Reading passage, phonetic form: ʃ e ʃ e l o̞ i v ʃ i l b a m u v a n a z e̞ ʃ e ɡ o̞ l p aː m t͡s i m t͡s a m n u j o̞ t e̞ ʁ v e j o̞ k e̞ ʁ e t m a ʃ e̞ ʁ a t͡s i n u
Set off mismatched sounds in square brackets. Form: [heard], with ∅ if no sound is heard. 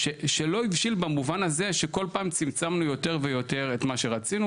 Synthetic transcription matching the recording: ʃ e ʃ e l o̞ i v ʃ i l b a m u v a n a z e̞ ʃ e [k] o̞ l p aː m t͡s i m t͡s a m n u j o̞ t e̞ ʁ v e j o̞ [t] e̞ ʁ e t m a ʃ e̞ ʁ a t͡s i n u